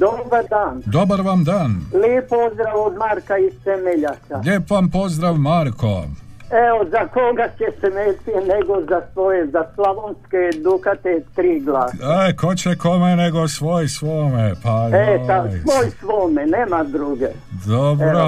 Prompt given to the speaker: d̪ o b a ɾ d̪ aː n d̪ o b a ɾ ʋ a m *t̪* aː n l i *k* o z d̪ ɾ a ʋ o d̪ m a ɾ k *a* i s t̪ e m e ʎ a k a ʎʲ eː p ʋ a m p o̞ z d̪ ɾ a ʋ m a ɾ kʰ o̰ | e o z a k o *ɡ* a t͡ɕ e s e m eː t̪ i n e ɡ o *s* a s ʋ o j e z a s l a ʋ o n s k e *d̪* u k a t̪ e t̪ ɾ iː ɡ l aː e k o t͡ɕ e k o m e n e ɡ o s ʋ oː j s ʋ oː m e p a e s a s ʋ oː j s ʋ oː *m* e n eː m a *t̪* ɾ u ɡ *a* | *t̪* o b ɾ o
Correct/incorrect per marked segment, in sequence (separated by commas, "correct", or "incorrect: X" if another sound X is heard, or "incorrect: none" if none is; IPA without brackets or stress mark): incorrect: d̪, incorrect: p, correct, correct, incorrect: z, correct, correct, incorrect: d̪, incorrect: e, incorrect: d̪